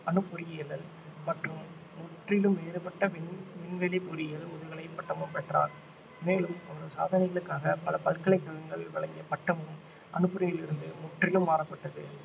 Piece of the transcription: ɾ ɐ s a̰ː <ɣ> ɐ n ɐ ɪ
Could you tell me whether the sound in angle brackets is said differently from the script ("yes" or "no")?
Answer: yes